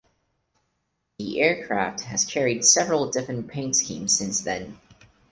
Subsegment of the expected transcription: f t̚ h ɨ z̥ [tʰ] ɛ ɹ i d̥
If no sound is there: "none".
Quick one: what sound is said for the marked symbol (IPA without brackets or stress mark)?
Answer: kʰ